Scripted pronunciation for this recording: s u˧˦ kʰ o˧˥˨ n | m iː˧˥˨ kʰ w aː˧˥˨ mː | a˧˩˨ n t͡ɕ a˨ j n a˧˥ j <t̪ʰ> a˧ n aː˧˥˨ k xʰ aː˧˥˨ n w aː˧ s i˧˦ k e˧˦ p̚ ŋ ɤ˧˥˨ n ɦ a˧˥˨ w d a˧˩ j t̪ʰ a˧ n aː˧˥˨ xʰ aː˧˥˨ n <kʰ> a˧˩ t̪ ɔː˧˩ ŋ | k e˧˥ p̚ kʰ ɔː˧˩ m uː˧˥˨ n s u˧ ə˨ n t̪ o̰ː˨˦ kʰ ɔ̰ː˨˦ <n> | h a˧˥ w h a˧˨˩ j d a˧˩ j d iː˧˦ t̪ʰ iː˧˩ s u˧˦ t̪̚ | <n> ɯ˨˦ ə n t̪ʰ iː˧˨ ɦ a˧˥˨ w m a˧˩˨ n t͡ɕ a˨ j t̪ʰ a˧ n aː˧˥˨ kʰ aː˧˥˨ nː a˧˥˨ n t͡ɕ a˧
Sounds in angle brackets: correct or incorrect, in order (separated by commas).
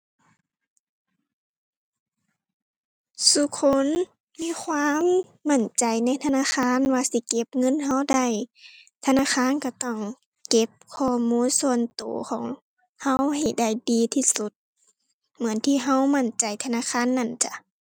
correct, incorrect, incorrect, incorrect